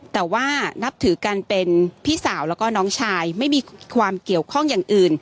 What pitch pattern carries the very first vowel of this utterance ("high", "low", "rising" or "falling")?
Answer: low